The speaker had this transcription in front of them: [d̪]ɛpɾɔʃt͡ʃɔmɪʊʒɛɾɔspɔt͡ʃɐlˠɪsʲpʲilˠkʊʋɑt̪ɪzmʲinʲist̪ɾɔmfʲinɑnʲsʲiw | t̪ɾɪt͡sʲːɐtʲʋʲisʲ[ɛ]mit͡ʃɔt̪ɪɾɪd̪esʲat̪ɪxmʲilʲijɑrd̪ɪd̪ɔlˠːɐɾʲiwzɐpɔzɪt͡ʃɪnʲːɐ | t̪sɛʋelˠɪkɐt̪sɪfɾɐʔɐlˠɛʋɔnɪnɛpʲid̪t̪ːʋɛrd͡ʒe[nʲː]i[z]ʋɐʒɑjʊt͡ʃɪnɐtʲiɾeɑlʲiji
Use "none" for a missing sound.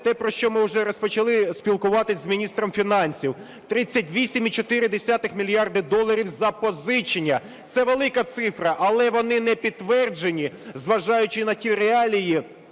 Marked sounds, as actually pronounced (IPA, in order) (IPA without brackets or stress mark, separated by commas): t̪, i, nʲ, z